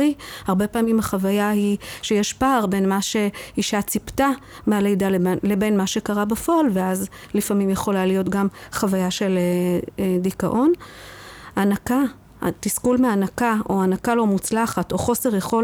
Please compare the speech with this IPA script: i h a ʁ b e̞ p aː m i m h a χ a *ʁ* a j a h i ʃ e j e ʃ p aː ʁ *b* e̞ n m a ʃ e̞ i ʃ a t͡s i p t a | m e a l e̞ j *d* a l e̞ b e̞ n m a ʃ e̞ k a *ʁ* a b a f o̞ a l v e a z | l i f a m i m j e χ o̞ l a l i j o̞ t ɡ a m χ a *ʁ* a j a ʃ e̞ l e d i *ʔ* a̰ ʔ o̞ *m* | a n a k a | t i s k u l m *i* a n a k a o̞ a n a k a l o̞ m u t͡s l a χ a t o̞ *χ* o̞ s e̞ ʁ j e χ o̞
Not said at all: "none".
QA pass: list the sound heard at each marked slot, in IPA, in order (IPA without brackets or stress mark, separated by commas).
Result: v, b, d, ʁ, v, k, n, e, χ